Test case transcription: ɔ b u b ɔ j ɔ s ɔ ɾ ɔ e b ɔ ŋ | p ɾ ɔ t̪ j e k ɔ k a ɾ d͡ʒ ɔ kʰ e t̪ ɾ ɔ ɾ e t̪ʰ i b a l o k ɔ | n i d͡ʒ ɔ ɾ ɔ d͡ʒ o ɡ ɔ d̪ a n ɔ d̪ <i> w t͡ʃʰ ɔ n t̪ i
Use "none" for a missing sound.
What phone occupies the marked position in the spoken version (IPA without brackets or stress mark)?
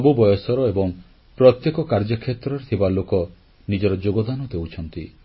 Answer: e